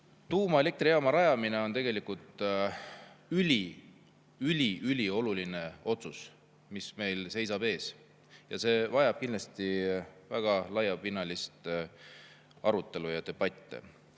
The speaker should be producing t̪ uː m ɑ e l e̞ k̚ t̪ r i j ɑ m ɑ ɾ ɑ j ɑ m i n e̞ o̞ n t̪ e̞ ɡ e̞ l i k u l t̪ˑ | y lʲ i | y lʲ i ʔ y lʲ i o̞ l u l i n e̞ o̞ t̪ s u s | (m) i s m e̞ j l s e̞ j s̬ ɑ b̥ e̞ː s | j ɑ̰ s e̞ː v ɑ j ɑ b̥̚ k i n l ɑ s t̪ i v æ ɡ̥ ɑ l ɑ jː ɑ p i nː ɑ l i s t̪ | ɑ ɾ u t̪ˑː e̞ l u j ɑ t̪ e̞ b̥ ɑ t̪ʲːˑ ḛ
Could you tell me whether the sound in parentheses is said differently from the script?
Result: no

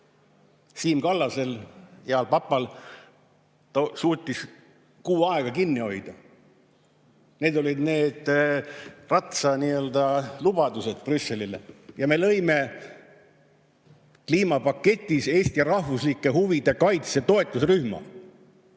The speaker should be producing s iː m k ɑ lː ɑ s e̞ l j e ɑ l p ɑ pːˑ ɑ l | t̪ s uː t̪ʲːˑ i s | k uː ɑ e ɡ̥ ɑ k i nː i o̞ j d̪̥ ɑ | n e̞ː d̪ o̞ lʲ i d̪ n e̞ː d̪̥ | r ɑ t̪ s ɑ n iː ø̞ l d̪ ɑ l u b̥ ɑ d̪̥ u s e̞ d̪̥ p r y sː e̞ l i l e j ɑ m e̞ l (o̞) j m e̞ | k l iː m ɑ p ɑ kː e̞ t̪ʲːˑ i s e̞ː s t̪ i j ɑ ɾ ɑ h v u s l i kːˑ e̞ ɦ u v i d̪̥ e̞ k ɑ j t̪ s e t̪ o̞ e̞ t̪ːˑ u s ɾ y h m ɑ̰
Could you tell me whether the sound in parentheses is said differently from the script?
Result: yes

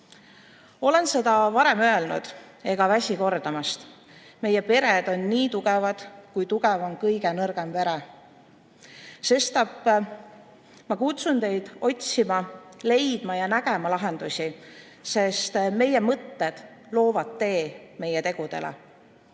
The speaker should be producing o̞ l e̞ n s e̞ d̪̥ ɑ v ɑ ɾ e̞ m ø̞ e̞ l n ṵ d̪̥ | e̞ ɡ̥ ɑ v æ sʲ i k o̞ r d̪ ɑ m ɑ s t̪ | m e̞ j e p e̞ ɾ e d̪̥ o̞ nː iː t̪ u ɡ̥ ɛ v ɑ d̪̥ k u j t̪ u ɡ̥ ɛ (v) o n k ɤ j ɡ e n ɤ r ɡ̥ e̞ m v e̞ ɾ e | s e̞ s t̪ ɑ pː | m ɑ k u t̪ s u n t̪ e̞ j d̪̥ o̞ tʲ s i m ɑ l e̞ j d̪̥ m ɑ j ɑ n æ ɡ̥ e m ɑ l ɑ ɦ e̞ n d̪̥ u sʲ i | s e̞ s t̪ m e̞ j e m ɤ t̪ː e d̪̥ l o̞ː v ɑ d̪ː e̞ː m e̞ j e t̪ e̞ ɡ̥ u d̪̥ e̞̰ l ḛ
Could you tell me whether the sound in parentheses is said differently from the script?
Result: no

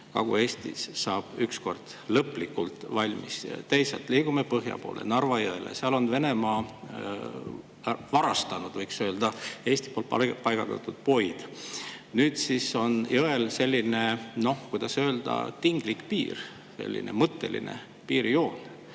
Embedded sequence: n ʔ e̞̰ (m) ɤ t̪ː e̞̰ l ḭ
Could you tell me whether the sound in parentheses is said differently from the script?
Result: no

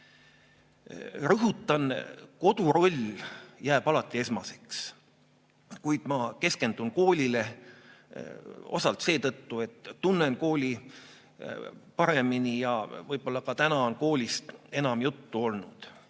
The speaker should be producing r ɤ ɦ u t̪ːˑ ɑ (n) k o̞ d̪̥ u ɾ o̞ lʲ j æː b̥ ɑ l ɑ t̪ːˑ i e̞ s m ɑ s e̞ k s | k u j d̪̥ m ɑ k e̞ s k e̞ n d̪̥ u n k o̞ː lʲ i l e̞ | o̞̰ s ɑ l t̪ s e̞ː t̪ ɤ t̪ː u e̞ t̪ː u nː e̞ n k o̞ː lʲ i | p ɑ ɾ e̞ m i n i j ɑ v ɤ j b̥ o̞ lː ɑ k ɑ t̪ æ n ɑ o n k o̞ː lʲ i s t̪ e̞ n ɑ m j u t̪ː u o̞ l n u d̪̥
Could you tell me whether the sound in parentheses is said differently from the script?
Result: no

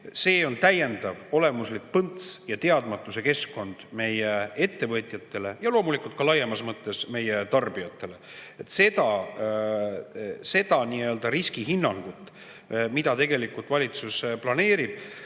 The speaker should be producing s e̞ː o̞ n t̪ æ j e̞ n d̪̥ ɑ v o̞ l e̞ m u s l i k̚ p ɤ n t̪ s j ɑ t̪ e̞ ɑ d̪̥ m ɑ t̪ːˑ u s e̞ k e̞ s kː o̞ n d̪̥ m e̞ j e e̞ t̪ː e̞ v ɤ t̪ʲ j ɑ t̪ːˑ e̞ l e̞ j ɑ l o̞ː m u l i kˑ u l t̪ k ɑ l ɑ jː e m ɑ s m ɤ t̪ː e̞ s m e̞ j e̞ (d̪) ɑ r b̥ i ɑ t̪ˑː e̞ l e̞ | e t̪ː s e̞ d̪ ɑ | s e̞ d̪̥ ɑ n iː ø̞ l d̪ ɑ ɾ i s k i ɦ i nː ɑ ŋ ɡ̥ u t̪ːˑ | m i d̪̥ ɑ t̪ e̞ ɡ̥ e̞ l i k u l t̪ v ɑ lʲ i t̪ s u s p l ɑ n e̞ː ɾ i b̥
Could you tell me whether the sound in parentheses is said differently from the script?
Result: yes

